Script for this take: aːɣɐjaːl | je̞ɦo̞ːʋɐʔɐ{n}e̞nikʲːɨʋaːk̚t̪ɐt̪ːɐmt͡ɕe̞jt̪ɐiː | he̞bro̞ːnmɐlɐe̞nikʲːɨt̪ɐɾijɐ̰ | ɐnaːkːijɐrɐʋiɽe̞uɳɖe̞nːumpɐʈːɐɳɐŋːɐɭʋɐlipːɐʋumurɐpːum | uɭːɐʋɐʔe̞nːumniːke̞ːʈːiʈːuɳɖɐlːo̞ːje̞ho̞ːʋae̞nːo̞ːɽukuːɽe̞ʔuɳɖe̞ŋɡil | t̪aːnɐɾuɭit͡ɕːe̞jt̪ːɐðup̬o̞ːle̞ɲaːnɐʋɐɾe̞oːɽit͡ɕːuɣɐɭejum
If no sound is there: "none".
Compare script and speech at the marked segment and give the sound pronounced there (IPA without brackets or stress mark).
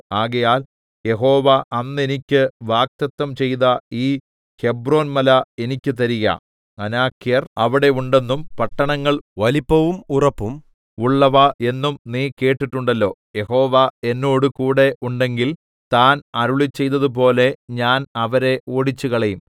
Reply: nː